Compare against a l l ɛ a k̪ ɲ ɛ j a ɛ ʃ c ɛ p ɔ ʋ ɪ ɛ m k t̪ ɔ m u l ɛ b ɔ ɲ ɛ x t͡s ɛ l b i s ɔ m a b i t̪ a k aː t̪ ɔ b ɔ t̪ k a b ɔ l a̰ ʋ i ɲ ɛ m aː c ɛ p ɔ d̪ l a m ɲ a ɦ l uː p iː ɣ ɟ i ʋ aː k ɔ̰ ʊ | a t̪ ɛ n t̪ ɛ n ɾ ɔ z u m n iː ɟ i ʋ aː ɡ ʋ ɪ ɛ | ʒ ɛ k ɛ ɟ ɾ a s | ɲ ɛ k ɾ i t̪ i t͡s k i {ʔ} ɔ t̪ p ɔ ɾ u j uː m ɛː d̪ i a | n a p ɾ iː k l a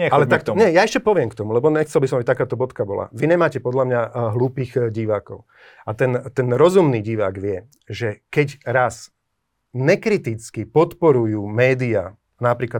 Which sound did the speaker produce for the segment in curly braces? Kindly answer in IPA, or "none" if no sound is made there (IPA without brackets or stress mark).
p